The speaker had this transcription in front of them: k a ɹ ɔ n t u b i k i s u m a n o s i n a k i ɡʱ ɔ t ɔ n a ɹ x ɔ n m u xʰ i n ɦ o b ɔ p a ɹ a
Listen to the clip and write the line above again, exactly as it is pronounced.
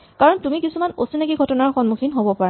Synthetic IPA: k a ɹ ɔ n t u m i k i s u m a n o s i n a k i ɡʱ ɔ t ɔ n a ɹ x ɔ n m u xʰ i n ɦ o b ɔ p a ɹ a